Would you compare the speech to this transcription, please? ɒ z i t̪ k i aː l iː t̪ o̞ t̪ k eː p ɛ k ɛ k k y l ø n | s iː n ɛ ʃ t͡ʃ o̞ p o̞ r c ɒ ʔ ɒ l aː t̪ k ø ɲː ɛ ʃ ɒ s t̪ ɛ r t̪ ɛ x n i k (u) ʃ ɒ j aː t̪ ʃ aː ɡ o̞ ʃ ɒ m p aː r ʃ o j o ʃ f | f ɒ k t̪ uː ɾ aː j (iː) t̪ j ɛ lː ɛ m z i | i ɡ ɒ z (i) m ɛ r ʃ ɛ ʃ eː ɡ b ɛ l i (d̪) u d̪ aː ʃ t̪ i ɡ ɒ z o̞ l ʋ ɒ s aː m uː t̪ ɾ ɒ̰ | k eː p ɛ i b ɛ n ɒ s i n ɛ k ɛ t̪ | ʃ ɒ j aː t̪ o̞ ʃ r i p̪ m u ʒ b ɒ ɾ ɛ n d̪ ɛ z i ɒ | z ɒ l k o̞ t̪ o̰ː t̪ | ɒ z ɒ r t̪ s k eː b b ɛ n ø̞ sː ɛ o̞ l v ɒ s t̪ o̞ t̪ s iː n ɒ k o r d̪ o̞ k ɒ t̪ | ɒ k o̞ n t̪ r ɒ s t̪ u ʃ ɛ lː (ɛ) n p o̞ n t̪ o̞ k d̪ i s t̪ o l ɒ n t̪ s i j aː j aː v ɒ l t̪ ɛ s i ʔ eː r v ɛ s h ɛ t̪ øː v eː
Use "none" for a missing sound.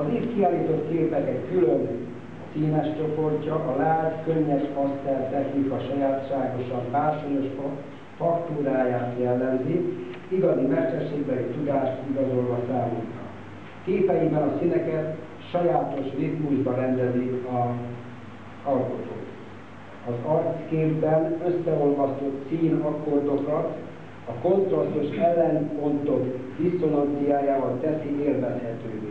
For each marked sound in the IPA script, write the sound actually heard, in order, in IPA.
ɒ, aː, i, t̪, ɛ

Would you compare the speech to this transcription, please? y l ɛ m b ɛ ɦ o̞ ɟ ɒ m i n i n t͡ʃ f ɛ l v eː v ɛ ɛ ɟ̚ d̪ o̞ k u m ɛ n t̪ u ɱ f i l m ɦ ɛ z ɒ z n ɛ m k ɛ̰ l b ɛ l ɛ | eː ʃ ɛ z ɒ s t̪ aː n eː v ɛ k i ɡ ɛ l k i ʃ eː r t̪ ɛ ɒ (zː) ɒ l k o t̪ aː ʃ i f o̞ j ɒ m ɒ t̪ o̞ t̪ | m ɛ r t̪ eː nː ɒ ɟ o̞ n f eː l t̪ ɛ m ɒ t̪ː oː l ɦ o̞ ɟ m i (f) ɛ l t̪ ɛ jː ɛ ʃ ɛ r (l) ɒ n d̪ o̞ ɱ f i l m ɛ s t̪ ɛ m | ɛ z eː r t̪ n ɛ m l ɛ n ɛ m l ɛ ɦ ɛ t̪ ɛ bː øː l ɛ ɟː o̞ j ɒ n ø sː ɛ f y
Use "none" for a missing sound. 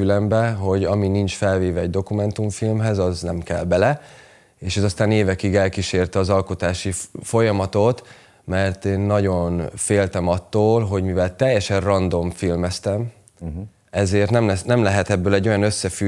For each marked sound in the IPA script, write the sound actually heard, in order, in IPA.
z, v, r

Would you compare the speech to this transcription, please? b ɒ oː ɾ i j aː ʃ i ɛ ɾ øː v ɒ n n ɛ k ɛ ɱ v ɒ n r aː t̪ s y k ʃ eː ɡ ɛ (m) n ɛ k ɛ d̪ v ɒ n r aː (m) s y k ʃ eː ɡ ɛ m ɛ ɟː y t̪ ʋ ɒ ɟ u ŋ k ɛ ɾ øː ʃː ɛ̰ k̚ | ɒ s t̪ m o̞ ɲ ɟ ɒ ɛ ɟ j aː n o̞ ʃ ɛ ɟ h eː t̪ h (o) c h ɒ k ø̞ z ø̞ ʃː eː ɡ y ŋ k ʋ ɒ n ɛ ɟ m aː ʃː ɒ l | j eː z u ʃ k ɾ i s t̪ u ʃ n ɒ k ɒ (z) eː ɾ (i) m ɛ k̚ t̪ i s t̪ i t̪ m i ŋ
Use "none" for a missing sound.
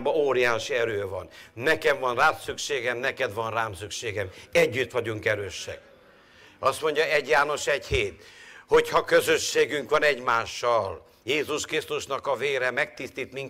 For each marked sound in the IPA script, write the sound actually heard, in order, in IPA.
m, m, o, v, ɛ

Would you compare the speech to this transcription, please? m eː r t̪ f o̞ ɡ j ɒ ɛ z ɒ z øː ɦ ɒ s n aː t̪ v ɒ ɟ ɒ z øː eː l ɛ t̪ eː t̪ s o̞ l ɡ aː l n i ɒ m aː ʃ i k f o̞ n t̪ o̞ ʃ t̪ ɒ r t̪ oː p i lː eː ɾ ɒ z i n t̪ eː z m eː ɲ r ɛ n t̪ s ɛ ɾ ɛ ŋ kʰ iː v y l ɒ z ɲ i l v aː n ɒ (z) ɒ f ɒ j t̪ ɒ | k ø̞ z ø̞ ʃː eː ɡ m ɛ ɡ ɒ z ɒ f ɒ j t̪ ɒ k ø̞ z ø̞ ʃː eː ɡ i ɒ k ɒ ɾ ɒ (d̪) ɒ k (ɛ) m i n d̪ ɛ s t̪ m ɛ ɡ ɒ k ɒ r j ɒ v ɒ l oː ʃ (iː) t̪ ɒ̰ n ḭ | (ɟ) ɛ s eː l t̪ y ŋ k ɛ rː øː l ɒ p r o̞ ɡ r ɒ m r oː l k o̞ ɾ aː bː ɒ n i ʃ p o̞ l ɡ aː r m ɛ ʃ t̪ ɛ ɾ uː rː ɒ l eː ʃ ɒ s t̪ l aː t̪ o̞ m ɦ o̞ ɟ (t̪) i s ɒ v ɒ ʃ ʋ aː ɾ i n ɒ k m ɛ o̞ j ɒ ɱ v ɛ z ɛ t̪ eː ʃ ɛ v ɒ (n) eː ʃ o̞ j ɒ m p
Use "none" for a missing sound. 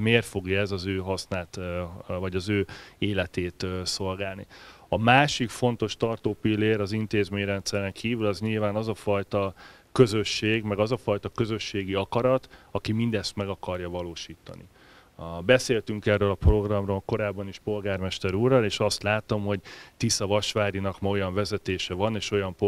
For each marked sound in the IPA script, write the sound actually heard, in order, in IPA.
z, t̪, i, iː, b, t̪, n

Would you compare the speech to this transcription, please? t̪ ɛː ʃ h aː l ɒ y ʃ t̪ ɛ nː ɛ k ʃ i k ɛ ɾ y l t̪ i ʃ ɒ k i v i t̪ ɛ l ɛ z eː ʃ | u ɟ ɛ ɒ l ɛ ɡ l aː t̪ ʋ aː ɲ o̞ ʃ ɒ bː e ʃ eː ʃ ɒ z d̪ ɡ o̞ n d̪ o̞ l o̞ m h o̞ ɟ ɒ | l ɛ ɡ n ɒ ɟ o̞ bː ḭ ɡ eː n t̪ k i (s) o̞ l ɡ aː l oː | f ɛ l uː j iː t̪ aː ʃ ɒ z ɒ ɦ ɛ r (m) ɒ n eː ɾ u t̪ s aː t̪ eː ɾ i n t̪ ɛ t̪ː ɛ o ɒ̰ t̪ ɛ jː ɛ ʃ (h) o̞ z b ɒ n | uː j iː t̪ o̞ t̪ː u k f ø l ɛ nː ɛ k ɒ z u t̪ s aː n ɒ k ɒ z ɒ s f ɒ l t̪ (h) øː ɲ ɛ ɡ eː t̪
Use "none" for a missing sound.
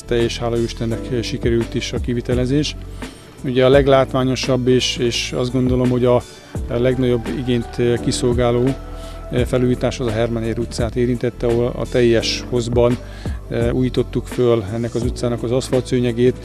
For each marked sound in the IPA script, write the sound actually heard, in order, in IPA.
s, m, h, s

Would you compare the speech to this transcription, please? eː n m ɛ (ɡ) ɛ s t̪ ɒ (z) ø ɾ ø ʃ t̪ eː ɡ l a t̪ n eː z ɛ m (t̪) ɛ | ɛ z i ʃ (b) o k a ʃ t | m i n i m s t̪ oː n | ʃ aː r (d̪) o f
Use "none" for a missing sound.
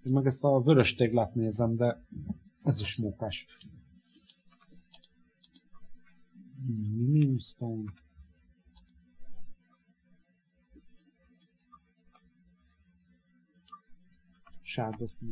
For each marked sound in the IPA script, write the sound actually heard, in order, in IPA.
ɡ, v, d̪, m, d̪

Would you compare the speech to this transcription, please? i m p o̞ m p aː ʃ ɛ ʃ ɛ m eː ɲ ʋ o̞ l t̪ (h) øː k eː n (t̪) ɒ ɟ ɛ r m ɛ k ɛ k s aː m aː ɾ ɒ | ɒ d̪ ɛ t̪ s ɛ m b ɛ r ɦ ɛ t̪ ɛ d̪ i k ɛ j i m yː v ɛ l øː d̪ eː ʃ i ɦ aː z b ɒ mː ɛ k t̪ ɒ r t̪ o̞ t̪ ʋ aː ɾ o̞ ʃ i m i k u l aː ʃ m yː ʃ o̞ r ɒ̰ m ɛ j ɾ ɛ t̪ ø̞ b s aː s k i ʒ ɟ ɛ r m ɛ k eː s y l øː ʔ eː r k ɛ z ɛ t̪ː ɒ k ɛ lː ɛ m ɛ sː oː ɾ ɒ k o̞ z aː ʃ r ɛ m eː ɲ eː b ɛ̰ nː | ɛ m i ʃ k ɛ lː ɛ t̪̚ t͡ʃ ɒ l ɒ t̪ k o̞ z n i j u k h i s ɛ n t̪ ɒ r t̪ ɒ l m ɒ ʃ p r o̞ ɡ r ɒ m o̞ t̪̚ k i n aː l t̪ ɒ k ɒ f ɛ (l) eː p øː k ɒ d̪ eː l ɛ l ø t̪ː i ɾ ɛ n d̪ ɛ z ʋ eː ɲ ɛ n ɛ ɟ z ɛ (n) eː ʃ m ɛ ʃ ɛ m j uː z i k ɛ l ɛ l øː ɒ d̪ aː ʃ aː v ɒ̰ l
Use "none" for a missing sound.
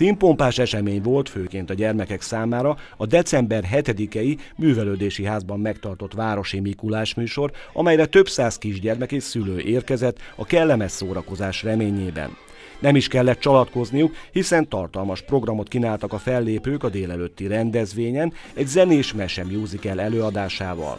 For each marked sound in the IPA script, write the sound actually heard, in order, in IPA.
f, t̪, lː, n

